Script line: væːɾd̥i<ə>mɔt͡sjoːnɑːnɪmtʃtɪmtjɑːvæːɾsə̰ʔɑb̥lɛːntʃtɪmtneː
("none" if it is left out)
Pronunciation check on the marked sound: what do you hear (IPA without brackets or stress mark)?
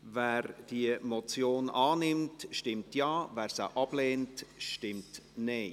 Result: ə